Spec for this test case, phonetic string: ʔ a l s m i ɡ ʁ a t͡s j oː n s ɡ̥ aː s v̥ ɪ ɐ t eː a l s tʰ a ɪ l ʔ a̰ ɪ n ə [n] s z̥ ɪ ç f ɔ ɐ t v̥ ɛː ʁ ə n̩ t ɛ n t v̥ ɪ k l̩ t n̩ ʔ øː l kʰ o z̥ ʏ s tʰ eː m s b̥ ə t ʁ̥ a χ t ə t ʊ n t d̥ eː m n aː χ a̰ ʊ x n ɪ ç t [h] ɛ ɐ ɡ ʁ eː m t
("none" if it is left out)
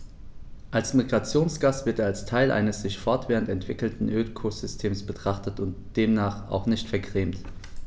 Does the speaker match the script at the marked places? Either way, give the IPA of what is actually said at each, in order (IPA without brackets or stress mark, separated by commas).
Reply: none, f